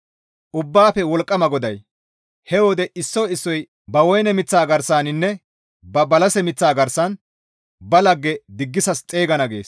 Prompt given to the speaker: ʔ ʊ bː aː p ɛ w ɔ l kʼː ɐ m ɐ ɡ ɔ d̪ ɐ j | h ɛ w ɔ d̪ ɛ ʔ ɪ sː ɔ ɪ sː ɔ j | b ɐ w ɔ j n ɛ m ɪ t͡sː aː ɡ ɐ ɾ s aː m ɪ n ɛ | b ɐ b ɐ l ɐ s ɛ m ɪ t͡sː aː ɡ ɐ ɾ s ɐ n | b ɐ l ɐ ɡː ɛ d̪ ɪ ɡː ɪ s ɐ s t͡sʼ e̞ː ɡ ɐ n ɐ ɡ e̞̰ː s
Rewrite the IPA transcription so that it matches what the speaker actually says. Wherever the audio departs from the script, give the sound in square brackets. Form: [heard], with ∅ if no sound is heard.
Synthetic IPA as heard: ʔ ʊ bː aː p ɛ w ɔ l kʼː ɐ m ɐ ɡ ɔ d̪ ɐ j | h ɛ w ɔ d̪ ɛ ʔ ɪ sː ɔ ɪ sː ɔ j | b ɐ w ɔ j n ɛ m ɪ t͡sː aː ɡ ɐ ɾ s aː [n] ɪ [nː] ɛ | b ɐ b ɐ l ɐ s ɛ m ɪ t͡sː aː ɡ ɐ ɾ s ɐ n | b ɐ l ɐ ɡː ɛ d̪ ɪ ɡː ɪ s ɐ s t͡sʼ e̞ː ɡ ɐ n ɐ ɡ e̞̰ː s